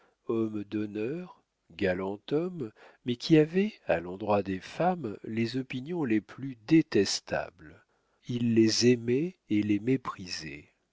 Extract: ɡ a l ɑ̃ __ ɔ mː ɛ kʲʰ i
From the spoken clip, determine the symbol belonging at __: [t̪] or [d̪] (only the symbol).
t̪